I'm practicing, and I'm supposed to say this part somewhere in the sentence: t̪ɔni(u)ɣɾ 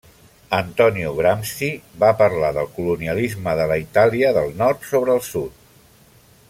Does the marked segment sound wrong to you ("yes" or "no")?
no